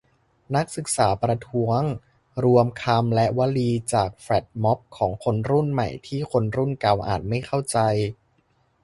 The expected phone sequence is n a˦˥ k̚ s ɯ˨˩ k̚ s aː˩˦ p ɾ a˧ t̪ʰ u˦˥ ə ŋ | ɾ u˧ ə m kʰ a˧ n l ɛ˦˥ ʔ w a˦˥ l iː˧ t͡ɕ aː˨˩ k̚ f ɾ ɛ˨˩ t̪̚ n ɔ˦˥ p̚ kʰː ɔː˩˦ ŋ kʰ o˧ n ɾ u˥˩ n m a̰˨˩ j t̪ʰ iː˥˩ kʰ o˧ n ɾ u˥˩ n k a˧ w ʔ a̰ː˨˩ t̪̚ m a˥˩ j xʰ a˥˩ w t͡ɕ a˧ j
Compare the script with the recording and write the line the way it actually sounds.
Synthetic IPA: n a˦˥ k̚ s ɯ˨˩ k̚ s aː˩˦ p ɾ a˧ t̪ʰ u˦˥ ə ŋ | ɾ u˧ ə m kʰ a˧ m l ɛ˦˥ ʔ w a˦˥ l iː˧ t͡ɕ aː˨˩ k̚ f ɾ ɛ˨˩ t̪̚ m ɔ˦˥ p̚ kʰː ɔː˩˦ ŋ kʰ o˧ n ɾ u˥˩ n m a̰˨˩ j t̪ʰ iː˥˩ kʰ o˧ n ɾ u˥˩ n k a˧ w ʔ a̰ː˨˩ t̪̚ m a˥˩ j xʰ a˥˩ w t͡ɕ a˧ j

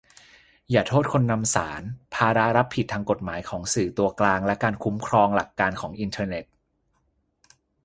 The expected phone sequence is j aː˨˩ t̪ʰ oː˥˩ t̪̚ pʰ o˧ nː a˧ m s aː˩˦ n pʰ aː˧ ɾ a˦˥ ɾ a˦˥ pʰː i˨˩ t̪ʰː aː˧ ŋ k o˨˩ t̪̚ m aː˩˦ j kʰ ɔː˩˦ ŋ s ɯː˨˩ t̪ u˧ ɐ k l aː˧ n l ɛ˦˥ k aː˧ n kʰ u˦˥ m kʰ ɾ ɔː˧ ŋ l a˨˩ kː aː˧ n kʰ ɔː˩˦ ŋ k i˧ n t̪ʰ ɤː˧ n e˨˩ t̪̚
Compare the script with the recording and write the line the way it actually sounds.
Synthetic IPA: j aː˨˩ t̪ʰ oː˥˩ t̪̚ kʰ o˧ nː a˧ m s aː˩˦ n pʰ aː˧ ɾ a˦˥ ɾ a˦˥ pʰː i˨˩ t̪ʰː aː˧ ŋ k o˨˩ t̪̚ m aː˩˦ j kʰ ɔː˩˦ ŋ s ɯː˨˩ t̪ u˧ ɐ k l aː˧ ŋ l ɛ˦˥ k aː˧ n kʰ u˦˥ m kʰ ɾ ɔː˧ ŋ l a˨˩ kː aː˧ n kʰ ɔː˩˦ ŋ ʔ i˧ n t̪ʰ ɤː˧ n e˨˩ t̪̚

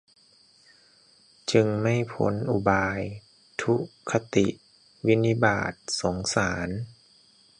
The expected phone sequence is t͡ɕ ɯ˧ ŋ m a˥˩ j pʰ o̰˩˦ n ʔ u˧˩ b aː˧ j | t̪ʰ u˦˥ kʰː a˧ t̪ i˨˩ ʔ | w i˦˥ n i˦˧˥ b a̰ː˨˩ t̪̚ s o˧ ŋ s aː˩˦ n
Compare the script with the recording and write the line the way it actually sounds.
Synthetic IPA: t͡ɕ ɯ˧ ŋ m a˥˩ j pʰ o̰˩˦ n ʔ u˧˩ b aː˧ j | t̪ʰ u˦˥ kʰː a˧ t̪ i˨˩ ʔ | w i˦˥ n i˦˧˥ b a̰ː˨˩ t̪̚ s o˩˦ ŋ s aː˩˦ n

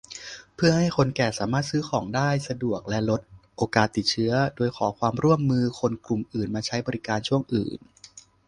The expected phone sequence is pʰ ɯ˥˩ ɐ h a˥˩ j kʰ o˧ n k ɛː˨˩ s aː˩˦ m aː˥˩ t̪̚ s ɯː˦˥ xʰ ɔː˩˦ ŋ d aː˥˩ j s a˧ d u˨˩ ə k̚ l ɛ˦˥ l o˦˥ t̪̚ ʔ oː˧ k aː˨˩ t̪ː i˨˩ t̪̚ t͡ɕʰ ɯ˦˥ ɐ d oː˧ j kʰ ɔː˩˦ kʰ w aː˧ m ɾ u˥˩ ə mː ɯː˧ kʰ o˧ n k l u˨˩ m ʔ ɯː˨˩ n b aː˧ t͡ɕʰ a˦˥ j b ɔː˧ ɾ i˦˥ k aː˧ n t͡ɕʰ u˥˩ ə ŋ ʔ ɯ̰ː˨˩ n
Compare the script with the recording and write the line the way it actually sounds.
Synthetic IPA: pʰ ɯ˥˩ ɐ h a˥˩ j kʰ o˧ n k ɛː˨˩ s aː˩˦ m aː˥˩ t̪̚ s ɯː˦˥ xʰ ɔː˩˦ ŋ d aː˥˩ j s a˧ d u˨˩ ə k̚ l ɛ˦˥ l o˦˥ t̪̚ ʔ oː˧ k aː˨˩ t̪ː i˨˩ t̪̚ t͡ɕʰ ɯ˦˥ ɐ d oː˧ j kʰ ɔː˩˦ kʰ w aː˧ m ɾ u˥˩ ə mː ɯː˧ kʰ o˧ n k l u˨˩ m ʔ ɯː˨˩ n m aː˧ t͡ɕʰ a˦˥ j b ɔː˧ ɾ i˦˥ k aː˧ n t͡ɕʰ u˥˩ ə ŋ ʔ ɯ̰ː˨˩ n

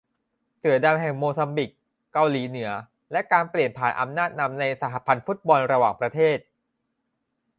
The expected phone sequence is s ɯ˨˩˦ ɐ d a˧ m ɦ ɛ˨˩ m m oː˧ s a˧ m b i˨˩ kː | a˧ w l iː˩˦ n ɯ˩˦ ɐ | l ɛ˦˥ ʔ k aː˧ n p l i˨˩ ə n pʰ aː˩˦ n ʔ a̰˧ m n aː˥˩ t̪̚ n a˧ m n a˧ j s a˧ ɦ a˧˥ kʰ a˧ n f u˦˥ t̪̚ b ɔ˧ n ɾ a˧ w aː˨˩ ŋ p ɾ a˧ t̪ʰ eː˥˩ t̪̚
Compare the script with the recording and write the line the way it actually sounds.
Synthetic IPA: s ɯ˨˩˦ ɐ d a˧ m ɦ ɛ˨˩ ŋ m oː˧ s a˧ m b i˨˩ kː | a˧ w l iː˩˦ n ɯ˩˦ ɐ | l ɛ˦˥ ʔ k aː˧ n p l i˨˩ ə n pʰ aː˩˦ n ʔ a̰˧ m n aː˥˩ t̪̚ n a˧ m n a˧ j s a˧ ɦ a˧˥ pʰ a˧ n f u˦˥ t̪̚ b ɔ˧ n ɾ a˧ w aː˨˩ ŋ p ɾ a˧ t̪ʰ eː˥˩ t̪̚

